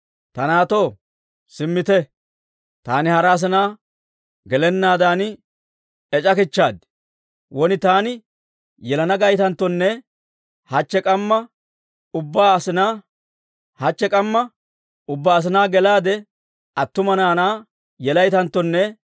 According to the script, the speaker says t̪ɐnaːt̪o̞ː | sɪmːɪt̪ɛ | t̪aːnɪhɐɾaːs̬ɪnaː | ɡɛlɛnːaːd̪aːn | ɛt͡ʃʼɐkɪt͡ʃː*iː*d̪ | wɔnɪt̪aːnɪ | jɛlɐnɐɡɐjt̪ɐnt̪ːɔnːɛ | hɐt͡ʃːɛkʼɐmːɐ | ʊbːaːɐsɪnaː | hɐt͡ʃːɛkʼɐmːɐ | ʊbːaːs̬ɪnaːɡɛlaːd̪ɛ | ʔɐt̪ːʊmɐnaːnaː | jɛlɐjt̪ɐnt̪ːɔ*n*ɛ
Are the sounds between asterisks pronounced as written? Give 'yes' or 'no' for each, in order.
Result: no, no

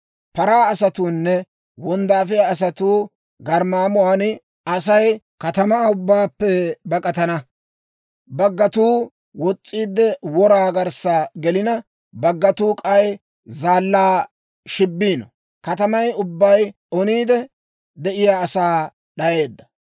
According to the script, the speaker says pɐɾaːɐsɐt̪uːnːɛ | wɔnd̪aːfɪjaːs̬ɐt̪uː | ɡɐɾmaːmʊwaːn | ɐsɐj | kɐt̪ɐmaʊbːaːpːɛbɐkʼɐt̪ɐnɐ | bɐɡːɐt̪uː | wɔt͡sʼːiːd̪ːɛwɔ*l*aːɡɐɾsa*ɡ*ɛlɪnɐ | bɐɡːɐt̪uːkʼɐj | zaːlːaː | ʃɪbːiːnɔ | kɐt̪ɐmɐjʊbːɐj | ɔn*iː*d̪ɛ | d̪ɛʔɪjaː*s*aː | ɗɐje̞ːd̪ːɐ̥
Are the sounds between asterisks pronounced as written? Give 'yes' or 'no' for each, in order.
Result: no, yes, yes, yes

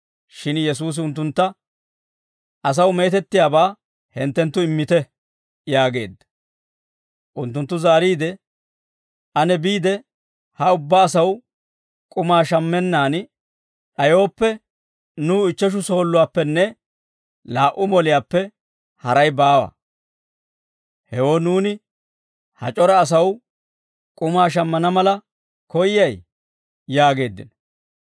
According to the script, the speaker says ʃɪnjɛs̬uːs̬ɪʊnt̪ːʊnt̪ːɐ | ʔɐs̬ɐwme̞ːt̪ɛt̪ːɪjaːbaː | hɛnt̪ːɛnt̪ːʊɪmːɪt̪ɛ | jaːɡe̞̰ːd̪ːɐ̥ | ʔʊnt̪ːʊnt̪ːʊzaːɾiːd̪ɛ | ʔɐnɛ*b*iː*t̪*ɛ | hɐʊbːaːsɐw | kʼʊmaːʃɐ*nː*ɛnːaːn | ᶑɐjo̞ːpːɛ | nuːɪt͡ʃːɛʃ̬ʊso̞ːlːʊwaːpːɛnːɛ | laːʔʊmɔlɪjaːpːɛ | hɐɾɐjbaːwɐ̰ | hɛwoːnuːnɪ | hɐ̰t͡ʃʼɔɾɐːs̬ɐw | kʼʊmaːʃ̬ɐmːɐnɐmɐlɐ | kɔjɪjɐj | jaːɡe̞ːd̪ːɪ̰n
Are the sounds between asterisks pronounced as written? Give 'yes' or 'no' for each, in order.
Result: yes, no, no

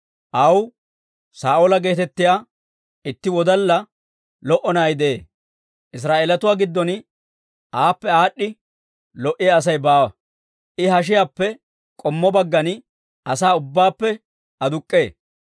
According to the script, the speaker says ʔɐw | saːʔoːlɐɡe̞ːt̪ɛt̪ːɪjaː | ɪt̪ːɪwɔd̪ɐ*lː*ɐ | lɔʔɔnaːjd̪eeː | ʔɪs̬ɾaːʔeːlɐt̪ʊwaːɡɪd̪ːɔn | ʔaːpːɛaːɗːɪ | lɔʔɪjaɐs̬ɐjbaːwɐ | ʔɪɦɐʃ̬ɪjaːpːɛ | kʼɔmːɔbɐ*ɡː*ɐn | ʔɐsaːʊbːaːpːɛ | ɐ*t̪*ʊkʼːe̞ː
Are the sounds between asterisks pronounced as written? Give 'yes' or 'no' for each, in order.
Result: yes, yes, no

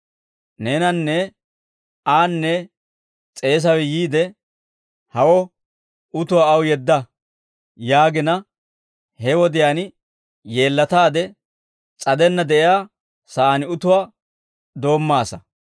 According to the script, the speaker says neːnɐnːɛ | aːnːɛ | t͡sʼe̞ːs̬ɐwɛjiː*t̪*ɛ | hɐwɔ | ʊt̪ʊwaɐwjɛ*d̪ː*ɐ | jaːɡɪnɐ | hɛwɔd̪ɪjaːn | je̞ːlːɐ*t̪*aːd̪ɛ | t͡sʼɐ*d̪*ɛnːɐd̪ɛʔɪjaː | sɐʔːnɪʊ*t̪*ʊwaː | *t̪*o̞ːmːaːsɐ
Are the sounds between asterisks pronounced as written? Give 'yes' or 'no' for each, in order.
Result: no, yes, yes, yes, yes, no

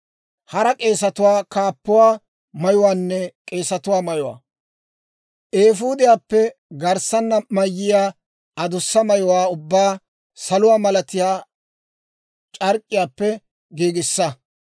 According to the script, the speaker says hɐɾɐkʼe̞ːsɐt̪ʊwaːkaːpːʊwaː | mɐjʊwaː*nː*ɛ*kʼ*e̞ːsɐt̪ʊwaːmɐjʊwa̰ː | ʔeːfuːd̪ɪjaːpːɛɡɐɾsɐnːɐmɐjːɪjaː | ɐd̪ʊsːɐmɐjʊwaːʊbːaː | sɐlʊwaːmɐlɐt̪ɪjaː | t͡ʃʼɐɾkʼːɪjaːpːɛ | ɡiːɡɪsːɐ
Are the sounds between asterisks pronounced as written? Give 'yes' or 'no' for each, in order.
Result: yes, yes

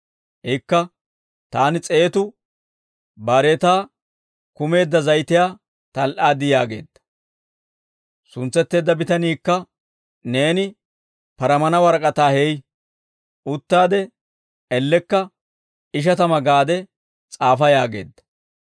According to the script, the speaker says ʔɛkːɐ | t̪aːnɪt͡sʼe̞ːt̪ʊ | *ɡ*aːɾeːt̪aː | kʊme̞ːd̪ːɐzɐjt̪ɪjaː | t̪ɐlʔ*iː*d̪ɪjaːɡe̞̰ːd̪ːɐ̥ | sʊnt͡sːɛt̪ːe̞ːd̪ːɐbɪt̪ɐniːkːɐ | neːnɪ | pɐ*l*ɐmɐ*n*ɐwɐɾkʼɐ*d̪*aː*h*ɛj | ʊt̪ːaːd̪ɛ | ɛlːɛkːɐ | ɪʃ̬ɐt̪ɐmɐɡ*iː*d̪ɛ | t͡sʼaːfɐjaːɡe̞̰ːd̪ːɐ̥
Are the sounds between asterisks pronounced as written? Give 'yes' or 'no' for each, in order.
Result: no, no, no, yes, no, yes, no

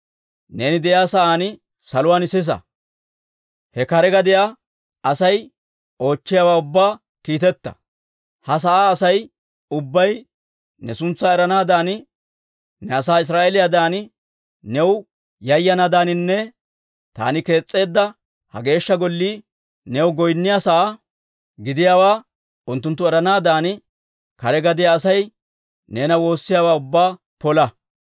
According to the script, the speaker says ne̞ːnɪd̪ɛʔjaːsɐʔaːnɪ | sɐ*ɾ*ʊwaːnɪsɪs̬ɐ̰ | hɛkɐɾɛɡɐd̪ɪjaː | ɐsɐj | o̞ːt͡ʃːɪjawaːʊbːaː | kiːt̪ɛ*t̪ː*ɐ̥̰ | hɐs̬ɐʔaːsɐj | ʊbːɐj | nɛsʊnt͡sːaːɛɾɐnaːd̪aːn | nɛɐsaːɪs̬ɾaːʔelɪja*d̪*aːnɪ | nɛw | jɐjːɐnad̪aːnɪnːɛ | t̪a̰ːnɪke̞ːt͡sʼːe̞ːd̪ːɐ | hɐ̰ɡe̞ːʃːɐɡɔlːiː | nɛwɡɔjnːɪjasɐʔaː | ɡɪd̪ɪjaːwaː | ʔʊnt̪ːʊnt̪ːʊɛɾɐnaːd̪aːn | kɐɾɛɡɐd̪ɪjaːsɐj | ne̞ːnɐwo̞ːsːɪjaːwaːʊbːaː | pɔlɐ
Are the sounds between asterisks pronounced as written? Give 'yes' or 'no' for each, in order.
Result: no, yes, yes

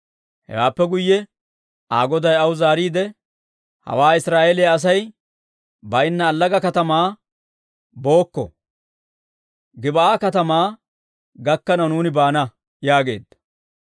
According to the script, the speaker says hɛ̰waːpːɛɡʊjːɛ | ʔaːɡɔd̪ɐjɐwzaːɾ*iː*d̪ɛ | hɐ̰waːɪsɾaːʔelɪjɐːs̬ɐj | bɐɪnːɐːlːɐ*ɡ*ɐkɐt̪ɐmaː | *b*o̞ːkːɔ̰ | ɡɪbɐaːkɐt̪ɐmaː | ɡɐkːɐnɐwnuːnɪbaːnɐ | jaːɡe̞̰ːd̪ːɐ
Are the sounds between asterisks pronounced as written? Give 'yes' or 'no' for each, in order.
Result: yes, yes, yes

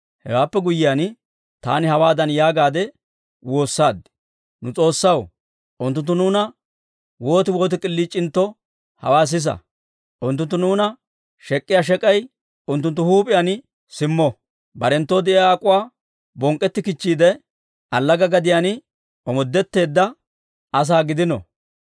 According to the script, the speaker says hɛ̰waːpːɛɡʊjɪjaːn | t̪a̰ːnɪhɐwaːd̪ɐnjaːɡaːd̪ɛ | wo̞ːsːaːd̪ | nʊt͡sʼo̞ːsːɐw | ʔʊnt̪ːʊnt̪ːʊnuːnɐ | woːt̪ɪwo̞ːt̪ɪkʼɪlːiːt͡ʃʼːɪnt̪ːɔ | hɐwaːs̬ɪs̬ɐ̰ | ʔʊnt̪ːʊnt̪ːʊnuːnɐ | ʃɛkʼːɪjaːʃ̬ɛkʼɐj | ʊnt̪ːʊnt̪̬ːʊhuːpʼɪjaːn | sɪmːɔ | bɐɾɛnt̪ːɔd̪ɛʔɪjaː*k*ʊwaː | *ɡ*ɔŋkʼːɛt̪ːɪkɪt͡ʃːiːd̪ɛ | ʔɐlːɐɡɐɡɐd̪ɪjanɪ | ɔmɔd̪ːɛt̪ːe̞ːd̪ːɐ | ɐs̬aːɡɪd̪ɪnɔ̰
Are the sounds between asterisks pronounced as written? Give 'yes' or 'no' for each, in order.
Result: no, no

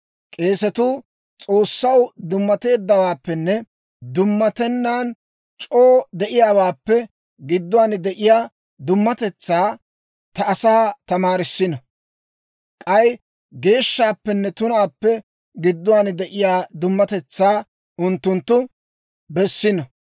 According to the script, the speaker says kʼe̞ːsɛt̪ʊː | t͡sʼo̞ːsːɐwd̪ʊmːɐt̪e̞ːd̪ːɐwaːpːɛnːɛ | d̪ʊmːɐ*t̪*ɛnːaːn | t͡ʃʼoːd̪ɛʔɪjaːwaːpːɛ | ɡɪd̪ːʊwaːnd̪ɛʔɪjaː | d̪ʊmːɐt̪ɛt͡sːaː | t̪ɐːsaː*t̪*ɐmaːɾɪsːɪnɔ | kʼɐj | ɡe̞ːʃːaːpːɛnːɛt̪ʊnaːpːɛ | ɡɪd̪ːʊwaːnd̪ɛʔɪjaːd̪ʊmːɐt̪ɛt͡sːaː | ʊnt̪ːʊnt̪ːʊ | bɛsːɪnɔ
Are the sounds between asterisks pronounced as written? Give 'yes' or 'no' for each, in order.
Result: yes, yes

